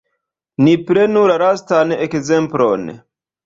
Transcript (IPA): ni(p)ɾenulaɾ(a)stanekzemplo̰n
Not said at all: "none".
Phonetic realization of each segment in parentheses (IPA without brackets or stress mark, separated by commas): p, a